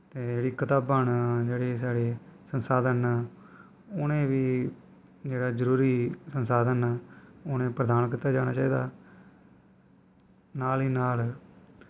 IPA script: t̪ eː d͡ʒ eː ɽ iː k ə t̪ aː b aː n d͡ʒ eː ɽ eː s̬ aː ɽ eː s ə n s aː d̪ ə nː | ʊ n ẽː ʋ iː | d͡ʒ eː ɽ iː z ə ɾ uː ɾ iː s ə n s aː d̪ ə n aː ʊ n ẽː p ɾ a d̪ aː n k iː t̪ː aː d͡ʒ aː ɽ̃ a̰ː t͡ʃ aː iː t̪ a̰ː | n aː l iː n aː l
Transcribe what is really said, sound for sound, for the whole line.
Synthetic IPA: t̪ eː d͡ʒ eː ɽ iː k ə t̪ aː b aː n d͡ʒ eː ɽ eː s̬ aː ɽ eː s ə n s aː d̪ ə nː | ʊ n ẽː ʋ iː | d͡ʒ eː ɽ aː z ə ɾ uː ɾ iː s ə n s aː d̪ ə n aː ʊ n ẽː p ɾ ə d̪ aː n k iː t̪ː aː d͡ʒ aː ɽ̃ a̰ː t͡ʃ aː iː d̪ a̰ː | n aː l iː n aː l